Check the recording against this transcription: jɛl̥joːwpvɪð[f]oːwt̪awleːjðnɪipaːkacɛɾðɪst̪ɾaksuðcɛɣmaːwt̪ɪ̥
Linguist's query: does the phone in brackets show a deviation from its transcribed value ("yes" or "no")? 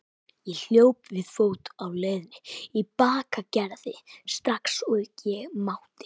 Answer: no